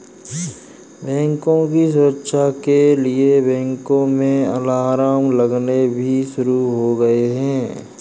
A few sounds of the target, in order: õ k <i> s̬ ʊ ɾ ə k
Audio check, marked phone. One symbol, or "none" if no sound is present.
i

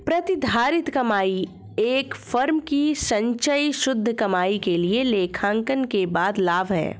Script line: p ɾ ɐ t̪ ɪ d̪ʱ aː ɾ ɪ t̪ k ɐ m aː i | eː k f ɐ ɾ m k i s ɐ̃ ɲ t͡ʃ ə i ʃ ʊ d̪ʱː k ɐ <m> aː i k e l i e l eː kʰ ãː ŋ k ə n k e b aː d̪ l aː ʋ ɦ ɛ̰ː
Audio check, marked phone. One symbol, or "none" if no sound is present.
m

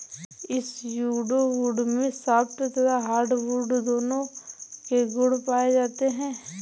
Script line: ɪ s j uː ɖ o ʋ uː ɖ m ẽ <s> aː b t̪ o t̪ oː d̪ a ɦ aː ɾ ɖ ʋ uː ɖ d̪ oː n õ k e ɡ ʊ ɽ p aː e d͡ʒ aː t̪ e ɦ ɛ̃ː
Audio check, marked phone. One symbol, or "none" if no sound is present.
s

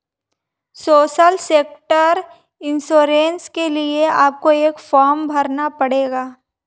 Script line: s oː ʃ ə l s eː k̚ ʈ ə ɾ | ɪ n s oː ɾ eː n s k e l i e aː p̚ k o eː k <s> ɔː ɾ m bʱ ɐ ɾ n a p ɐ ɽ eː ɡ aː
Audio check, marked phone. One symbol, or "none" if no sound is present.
f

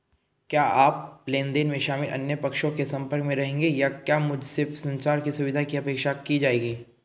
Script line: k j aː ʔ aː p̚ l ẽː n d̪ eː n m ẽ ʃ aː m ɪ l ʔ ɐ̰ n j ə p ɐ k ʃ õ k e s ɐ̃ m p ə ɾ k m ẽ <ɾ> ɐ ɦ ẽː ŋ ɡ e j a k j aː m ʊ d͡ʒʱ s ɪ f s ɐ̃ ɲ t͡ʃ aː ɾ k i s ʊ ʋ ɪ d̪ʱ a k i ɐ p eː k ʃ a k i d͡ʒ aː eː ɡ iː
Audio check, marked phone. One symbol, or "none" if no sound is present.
ɾ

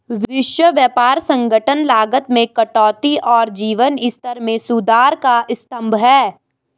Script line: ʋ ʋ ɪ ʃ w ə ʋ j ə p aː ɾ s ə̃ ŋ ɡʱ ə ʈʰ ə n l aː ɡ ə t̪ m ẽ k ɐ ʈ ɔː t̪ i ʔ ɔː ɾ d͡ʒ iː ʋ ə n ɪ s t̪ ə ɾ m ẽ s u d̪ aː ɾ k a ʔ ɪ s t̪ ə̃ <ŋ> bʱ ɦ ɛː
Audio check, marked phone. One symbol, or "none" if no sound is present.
m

